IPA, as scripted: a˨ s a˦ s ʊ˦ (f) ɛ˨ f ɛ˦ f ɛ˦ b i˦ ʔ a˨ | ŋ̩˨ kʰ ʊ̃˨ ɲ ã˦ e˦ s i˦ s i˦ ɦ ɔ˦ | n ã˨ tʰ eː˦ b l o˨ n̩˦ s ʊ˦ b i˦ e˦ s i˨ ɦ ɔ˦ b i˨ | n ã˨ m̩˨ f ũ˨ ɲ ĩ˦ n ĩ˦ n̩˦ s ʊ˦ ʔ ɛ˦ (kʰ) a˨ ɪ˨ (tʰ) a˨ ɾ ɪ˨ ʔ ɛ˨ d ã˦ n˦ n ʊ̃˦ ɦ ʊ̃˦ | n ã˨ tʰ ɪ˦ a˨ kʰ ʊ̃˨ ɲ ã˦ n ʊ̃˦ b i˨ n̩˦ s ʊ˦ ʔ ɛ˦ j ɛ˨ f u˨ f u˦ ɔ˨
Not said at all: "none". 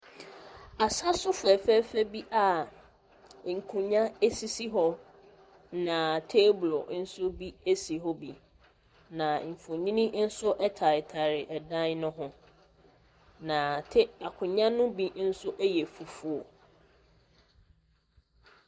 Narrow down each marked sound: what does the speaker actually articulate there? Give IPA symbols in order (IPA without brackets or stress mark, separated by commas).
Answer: f, tʰ, tʰ